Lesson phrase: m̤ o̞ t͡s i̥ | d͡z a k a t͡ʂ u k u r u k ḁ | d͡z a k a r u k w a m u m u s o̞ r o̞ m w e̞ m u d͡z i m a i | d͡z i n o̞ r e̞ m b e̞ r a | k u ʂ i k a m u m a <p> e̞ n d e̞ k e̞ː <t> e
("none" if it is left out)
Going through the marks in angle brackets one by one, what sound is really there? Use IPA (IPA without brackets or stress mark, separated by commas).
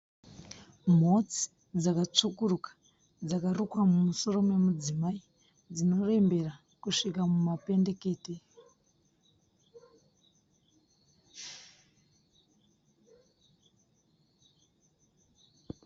p, t